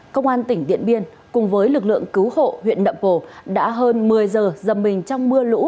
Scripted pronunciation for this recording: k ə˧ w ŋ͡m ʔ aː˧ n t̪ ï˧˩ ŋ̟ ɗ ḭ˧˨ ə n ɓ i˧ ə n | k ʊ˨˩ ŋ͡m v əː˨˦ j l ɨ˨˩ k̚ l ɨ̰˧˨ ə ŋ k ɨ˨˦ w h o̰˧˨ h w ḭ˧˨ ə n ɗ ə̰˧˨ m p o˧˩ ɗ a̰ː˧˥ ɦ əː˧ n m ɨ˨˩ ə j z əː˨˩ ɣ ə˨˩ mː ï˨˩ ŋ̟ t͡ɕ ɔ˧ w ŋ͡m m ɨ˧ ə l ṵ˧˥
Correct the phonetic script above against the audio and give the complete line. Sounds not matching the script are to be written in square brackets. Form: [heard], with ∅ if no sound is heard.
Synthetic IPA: k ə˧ w ŋ͡m ʔ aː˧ n t̪ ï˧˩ ŋ̟ ɗ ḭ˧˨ ə n ɓ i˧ ə n | k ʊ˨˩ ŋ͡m v əː˨˦ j l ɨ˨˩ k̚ l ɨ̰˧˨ ə ŋ k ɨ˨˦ w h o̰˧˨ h w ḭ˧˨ ə n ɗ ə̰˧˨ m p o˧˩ ɗ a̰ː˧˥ ɦ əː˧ n m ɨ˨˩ ə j z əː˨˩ [z] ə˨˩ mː ï˨˩ ŋ̟ t͡ɕ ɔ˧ w ŋ͡m m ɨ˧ ə l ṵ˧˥